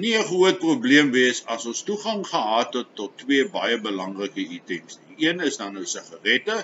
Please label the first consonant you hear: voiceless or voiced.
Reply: voiced